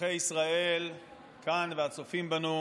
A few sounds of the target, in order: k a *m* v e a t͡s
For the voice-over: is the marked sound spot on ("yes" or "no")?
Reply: no